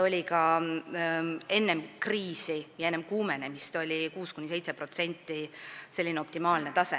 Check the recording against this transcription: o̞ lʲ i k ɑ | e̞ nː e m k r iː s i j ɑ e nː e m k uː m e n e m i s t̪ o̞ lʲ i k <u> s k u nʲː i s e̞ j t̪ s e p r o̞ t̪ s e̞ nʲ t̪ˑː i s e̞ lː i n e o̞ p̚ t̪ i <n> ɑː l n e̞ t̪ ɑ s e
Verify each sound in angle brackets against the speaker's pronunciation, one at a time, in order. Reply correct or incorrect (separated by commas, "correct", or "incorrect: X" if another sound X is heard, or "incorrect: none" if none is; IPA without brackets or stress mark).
incorrect: uː, incorrect: m